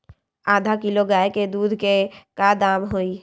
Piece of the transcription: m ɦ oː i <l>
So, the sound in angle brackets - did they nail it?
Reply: no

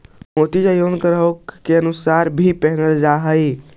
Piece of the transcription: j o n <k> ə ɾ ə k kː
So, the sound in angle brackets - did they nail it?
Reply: yes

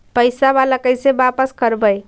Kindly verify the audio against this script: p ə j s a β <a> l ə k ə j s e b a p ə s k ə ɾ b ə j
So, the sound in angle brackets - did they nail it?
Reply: yes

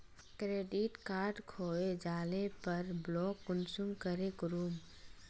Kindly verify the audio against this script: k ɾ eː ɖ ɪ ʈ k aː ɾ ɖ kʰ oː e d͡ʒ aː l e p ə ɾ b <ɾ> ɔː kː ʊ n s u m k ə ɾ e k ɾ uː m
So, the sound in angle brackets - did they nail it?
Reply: no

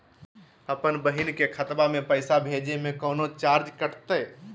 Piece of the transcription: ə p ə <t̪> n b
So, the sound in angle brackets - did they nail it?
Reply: no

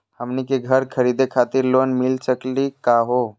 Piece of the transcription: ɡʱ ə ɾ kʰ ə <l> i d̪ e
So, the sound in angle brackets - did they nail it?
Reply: no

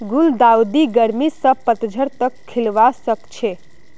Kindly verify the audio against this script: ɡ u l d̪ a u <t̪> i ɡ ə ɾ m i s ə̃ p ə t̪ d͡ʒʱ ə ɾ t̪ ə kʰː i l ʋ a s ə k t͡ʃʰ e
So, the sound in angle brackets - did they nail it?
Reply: no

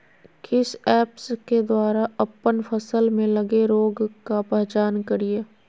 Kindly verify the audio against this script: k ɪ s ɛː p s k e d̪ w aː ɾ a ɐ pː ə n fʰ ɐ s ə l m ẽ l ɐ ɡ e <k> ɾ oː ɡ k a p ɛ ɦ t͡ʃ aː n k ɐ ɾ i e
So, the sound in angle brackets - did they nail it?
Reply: no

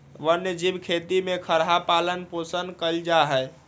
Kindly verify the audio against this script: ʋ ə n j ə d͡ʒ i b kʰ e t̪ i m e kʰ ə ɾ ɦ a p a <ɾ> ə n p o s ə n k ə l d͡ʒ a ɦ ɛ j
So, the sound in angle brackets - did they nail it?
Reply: no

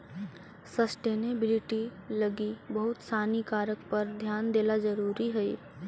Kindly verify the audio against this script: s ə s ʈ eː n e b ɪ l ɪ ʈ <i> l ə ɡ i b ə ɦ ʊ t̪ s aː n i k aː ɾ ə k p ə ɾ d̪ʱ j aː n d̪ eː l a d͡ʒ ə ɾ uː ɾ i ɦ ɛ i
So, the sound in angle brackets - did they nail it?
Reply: yes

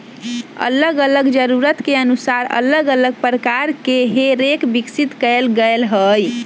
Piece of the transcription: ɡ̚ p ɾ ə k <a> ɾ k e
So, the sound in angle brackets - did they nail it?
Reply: yes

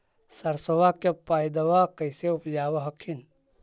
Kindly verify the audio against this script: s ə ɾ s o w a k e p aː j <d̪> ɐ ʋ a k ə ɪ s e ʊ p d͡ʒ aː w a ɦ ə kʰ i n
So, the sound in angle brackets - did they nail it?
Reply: yes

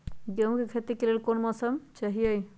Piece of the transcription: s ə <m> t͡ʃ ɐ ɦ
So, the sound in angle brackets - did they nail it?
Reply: yes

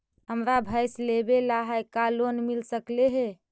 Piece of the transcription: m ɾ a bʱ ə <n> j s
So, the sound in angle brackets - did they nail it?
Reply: no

